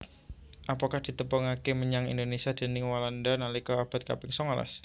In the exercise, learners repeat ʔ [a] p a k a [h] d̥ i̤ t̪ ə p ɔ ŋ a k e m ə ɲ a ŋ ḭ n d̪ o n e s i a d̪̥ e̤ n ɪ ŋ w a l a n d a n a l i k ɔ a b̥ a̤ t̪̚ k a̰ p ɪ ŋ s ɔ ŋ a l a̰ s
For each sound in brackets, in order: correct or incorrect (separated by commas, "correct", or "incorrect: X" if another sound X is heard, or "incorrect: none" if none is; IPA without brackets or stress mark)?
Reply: correct, correct